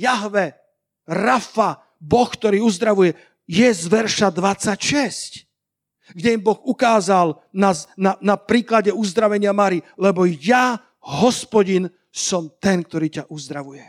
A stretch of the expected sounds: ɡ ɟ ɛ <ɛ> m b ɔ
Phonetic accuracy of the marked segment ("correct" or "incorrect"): incorrect